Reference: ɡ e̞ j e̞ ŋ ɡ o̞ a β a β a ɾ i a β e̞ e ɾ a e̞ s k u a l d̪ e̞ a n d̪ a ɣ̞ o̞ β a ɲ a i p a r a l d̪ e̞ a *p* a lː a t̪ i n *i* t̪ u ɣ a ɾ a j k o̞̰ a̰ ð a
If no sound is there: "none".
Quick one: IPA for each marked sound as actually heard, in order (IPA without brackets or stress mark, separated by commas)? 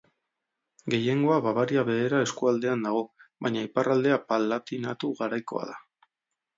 p, a